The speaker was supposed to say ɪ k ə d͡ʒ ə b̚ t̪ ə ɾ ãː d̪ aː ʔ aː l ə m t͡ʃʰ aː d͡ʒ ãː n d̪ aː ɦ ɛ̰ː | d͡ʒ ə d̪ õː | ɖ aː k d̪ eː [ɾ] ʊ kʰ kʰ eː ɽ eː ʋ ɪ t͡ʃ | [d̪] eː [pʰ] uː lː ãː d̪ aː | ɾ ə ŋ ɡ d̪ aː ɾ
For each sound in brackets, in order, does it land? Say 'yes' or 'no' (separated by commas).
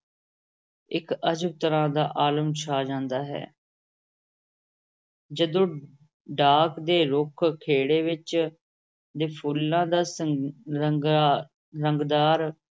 yes, yes, yes